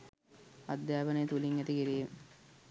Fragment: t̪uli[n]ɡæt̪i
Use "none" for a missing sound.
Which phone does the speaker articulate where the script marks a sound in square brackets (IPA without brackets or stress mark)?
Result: ŋ